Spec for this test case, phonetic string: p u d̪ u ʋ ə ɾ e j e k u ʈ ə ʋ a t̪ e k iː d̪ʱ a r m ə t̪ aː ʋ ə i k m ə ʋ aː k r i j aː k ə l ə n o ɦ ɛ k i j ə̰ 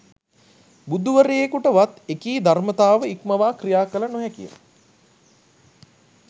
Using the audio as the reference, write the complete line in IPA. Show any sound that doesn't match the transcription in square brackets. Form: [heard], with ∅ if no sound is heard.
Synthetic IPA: [b] u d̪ u ʋ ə ɾ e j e k u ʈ ə ʋ a t̪ e k iː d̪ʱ a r m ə t̪ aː ʋ ə i k m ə ʋ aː k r i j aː k ə l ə n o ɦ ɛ k i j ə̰